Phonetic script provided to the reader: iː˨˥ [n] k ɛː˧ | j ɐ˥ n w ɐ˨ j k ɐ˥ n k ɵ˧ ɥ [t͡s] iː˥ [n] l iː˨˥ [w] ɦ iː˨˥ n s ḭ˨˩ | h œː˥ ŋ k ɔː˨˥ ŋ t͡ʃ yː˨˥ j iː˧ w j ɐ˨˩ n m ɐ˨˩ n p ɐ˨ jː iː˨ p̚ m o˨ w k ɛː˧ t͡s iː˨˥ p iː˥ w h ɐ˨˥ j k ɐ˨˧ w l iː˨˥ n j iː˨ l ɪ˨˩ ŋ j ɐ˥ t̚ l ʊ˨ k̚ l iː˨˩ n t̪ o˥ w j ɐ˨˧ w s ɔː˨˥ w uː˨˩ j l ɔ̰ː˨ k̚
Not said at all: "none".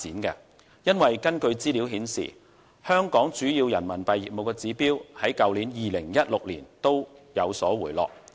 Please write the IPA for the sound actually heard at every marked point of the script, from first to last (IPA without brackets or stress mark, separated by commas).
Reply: n, t͡s, none, w